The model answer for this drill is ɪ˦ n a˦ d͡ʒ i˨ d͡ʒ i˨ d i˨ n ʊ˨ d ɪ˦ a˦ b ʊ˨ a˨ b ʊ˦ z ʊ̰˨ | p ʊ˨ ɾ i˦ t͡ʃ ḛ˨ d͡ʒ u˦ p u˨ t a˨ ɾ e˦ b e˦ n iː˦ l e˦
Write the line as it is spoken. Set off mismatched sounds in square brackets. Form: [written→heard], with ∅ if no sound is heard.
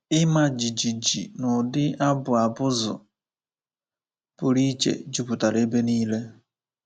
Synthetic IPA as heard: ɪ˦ [n→m] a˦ d͡ʒ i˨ d͡ʒ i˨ [d→d͡ʒ] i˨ n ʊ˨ d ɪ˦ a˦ b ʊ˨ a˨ b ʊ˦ z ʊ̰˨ | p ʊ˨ ɾ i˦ t͡ʃ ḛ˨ d͡ʒ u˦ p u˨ t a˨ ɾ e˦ b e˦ n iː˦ l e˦